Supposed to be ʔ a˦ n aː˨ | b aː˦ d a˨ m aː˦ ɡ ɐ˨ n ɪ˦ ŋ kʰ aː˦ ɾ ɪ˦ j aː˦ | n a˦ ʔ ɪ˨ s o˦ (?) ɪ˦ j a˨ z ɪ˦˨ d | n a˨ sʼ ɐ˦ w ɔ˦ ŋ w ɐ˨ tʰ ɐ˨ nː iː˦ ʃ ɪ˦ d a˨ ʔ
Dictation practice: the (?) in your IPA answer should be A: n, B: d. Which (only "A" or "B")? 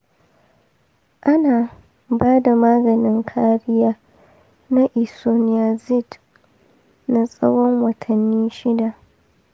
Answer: A